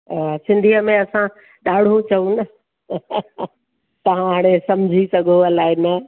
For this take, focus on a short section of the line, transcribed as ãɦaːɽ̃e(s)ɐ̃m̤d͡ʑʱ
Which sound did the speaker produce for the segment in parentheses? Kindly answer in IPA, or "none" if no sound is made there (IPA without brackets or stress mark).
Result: s